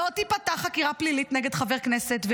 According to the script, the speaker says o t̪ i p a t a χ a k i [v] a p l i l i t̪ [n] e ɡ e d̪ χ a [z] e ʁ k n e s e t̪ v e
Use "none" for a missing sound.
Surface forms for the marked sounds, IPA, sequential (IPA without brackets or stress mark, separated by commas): ʁ, n, v